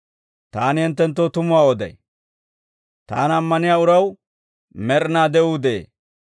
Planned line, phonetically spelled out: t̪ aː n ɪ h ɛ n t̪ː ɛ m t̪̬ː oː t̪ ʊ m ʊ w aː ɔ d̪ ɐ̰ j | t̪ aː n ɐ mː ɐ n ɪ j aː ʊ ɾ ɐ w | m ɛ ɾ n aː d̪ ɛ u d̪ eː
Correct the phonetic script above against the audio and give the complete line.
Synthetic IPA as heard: t̪ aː n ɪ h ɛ n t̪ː ɛ n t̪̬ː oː t̪ ʊ m ʊ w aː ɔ d̪ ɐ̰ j | t̪ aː n ɐ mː ɐ n ɪ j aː ʊ ɾ ɐ w | m ɛ ɾ n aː d̪ ɛ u d̪ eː